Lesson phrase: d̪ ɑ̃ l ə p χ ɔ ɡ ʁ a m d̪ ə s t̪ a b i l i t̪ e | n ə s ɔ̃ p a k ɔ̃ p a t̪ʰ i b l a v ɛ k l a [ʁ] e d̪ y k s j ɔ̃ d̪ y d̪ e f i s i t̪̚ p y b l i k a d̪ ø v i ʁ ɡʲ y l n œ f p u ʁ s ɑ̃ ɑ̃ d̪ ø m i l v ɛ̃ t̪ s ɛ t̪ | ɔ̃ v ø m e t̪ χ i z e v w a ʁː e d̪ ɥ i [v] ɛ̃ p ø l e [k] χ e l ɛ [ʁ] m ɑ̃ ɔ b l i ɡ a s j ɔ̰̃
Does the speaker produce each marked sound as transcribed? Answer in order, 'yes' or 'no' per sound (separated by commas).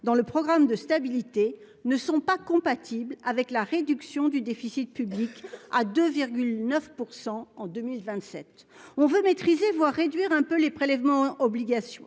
yes, no, no, no